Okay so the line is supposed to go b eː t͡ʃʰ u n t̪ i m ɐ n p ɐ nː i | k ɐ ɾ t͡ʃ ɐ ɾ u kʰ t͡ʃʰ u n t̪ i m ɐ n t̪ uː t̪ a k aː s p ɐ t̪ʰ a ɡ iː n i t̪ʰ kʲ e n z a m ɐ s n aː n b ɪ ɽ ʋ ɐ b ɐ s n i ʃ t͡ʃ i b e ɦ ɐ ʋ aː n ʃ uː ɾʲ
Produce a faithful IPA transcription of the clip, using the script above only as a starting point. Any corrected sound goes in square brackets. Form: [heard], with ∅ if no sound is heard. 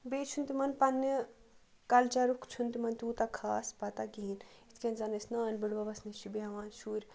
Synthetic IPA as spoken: b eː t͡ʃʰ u n t̪ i m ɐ n p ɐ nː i | k ɐ [l] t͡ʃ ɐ ɾ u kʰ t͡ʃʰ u n t̪ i m ɐ n t̪ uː t̪ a [kʰ] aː s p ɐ [t̪] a ɡ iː n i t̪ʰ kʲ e n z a [n] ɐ s n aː n b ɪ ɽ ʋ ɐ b ɐ s n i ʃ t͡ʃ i b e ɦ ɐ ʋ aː n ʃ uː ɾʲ